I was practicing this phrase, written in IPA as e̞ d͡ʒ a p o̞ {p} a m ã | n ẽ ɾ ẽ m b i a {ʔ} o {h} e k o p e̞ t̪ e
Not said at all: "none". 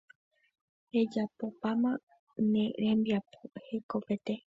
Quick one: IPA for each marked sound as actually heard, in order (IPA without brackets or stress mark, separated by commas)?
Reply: p, p, h